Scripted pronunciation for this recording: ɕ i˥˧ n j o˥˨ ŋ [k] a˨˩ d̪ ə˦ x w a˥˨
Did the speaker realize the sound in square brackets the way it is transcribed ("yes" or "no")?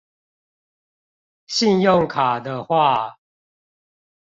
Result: no